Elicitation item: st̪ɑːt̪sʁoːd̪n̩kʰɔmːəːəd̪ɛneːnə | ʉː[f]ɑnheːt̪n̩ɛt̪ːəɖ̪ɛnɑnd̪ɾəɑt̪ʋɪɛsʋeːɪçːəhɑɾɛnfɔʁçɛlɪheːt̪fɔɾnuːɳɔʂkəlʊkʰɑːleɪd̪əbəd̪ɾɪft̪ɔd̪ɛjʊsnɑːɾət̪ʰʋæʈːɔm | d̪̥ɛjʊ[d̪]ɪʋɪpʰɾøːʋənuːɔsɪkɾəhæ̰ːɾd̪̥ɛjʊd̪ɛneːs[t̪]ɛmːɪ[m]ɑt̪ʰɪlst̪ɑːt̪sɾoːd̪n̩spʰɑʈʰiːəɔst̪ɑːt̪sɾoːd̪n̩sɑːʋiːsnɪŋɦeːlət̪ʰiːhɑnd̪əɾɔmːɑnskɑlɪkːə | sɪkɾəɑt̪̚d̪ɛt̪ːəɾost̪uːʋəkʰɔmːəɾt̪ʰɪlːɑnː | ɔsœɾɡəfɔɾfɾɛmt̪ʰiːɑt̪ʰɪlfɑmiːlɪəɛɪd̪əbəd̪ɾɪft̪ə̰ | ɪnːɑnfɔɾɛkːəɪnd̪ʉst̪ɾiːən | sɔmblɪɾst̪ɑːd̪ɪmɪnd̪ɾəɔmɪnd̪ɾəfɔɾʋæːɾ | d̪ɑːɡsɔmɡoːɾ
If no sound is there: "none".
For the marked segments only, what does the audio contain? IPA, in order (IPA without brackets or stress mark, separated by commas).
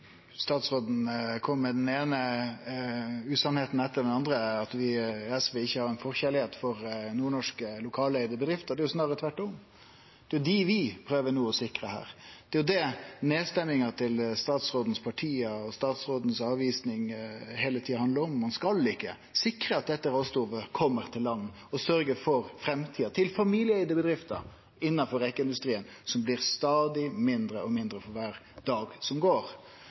s, d̪, t̪, ŋ